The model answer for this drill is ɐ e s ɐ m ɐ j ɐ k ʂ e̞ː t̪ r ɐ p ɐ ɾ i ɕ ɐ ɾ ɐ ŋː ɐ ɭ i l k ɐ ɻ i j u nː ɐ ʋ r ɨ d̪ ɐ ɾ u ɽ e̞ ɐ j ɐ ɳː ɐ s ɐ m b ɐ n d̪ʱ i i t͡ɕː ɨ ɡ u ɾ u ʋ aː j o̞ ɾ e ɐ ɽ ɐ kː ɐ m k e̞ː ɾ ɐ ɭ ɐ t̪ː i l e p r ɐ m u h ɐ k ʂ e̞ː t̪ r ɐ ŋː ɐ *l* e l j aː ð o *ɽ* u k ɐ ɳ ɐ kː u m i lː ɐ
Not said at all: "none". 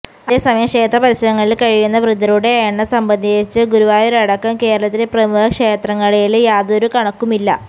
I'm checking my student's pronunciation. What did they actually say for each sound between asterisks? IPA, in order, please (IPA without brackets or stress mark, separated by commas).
ɭ, ɾ